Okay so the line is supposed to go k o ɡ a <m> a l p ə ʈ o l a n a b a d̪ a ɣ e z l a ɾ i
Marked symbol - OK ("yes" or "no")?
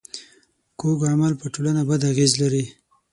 yes